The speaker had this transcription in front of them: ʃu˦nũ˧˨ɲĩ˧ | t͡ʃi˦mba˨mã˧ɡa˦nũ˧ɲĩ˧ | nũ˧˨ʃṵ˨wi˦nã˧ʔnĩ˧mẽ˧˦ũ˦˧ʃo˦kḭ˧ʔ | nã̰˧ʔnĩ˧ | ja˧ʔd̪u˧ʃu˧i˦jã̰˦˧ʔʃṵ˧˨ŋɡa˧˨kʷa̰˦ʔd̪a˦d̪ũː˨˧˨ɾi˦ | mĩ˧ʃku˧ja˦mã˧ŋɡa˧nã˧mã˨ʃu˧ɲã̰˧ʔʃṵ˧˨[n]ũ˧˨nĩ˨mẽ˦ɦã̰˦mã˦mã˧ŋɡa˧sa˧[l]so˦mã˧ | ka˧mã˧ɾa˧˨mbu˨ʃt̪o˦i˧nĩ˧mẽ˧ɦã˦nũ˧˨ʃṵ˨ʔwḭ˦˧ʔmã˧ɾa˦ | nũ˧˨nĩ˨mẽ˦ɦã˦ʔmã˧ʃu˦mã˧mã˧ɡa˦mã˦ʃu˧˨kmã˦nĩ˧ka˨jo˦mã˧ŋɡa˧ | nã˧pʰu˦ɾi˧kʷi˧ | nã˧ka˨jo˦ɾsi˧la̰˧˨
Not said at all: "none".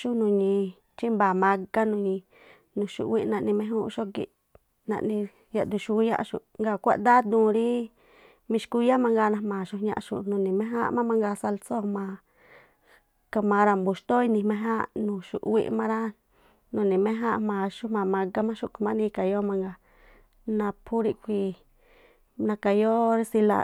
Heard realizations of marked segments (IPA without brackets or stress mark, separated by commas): n, l